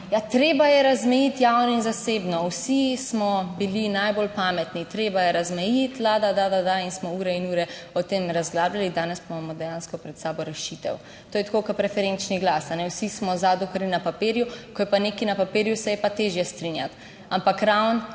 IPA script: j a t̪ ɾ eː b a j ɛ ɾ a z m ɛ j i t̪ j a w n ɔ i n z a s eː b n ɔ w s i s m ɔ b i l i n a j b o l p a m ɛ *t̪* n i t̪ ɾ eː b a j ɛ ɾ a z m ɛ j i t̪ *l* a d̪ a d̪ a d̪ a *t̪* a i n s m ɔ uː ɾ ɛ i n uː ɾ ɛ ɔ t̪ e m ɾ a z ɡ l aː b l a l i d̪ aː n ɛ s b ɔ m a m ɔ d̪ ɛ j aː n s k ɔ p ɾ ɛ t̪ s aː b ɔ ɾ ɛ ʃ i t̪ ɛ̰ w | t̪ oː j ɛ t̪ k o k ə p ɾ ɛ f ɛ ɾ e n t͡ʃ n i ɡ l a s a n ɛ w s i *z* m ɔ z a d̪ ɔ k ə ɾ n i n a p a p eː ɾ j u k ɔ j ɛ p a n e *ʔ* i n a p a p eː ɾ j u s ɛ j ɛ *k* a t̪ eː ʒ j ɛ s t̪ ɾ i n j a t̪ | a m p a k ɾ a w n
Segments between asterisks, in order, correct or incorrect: correct, correct, incorrect, incorrect, incorrect, incorrect

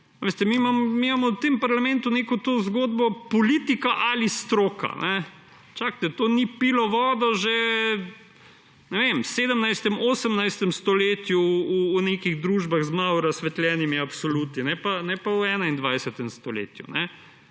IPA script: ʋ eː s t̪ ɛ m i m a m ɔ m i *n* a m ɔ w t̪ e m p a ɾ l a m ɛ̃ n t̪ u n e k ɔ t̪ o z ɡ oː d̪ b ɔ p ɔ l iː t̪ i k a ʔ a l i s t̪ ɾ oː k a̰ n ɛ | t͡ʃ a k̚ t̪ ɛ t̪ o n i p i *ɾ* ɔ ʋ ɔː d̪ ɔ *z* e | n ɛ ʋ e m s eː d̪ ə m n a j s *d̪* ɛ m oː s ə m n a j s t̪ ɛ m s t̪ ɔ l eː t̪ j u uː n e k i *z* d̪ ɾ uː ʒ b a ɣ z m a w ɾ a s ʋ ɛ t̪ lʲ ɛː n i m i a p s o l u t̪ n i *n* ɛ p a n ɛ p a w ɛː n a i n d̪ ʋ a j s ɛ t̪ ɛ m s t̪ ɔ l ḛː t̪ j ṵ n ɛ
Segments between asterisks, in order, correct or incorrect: incorrect, incorrect, incorrect, incorrect, incorrect, correct

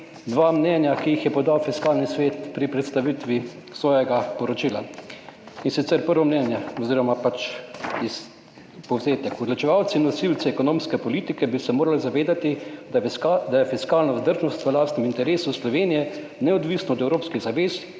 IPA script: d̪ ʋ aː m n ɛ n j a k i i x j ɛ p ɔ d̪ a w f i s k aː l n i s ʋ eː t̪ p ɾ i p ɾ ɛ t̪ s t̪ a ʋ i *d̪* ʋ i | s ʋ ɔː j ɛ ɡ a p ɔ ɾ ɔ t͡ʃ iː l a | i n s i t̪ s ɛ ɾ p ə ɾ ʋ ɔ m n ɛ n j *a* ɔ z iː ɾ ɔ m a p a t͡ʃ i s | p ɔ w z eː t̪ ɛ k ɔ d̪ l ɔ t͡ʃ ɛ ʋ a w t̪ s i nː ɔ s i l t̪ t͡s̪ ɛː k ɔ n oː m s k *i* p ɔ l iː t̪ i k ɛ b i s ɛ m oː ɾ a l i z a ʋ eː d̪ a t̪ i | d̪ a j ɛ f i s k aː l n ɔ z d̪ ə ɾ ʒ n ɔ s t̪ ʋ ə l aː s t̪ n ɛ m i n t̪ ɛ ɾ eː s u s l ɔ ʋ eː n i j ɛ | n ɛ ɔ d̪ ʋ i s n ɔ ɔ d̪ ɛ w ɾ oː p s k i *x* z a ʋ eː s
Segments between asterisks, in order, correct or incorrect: incorrect, incorrect, incorrect, incorrect

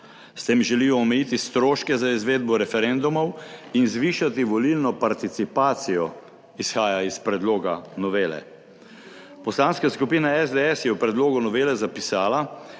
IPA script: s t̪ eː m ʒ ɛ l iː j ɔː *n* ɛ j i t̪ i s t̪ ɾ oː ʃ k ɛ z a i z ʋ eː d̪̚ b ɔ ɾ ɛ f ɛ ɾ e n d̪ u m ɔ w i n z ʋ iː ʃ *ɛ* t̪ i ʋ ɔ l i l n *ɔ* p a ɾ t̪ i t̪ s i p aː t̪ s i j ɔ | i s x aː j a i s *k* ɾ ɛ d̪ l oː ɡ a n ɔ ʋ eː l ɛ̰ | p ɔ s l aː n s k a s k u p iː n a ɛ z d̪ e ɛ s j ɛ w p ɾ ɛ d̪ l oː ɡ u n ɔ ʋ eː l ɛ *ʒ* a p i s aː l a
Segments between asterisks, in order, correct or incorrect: incorrect, incorrect, correct, incorrect, incorrect

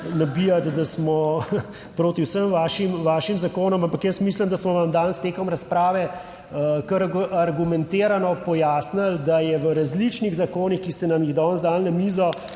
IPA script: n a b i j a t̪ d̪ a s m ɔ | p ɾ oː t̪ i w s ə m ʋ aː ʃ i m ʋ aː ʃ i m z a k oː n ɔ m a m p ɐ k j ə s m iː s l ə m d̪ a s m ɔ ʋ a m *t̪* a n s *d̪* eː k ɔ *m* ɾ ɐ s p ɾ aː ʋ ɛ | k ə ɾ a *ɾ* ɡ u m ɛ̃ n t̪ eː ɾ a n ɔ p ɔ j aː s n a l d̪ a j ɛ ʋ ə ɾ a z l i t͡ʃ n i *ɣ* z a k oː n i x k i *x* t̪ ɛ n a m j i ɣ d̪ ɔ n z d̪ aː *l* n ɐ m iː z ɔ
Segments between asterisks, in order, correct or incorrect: incorrect, incorrect, correct, correct, correct, incorrect, correct

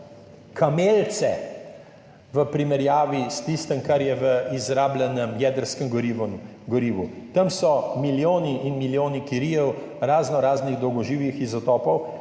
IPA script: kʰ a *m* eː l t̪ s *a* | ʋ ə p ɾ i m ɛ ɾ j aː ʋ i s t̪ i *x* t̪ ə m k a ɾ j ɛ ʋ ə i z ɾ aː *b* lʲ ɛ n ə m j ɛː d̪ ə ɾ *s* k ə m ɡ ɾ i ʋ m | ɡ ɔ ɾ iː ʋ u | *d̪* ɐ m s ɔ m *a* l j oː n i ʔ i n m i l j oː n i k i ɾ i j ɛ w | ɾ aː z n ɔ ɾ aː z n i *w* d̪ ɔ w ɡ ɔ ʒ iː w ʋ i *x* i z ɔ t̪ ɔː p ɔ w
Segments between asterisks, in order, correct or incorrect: correct, incorrect, incorrect, correct, correct, incorrect, incorrect, incorrect, correct

